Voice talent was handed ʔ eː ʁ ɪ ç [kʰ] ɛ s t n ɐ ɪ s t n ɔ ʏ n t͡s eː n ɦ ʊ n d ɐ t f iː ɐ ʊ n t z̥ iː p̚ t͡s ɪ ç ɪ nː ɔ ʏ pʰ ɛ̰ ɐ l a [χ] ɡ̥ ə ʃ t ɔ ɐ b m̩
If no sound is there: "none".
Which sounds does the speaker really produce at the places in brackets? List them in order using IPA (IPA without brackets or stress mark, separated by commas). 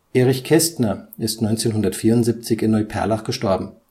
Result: kʰ, χ